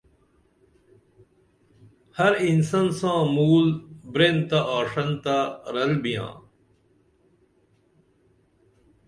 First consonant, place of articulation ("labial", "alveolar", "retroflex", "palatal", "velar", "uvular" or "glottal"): glottal